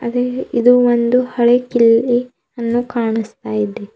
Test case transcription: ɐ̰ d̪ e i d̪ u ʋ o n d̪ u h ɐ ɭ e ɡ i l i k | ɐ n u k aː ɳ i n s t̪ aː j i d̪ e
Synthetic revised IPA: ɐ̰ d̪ e i d̪ u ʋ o n d̪ u h ɐ ɭ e k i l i | ɐ nː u k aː ɳ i s t̪ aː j i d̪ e